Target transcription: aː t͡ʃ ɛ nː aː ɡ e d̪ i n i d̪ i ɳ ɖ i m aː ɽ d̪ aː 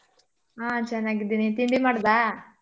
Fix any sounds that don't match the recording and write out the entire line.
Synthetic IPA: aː t͡ʃ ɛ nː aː ɡ i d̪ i n i t̪ i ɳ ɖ i m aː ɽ d̪ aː